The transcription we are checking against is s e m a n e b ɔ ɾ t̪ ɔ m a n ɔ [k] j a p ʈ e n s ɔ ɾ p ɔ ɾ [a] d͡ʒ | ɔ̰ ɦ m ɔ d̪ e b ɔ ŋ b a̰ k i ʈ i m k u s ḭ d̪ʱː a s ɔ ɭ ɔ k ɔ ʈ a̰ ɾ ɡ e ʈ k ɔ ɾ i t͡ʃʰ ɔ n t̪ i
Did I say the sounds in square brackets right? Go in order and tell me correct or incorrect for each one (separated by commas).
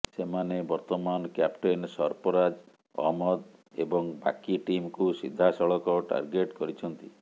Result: correct, correct